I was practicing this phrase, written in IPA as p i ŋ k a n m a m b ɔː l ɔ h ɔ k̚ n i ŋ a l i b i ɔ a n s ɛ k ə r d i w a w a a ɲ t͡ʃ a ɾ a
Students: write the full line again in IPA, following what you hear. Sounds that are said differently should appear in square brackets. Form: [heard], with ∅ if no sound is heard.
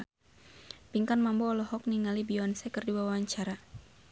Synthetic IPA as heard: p i ŋ k a n m a m b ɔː l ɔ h ɔ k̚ n i ŋ a l i b i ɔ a n s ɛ k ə r d i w a w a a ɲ t͡ʃ a ɾ a